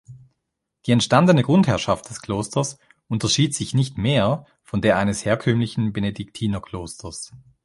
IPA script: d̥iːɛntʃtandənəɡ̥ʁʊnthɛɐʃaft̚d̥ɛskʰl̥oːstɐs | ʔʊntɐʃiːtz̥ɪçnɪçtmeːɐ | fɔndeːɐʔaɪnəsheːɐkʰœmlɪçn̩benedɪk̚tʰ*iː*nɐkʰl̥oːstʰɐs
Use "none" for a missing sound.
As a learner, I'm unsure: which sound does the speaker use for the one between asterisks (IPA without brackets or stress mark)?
iː